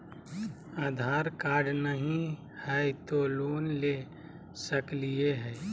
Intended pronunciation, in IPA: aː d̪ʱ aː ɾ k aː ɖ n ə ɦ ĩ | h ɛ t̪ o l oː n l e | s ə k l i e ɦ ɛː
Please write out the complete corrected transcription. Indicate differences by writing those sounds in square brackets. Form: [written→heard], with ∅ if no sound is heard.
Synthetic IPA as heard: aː d̪ʱ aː ɾ k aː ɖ n ə ɦ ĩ | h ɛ t̪ o l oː n l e | s ə k l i e ɦ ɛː